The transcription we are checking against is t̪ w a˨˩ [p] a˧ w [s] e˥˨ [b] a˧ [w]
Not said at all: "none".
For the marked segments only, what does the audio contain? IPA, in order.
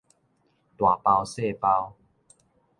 p, s, p, w

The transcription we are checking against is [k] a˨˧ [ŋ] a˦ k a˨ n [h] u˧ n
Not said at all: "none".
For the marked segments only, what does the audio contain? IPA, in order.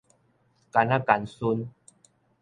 k, n, s

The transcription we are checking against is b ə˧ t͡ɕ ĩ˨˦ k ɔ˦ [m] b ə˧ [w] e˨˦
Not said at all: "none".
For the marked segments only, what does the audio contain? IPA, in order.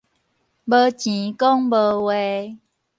ŋ, w

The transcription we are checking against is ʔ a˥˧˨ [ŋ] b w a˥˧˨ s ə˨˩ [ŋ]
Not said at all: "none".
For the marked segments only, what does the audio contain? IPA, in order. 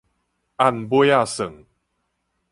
n, ŋ

